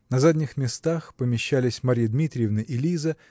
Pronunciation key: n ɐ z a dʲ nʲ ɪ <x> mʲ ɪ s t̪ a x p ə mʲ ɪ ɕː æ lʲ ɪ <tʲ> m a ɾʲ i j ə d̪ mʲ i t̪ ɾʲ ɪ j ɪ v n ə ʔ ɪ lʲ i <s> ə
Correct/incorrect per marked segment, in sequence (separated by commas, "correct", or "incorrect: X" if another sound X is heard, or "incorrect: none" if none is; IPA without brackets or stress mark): correct, incorrect: sʲ, incorrect: z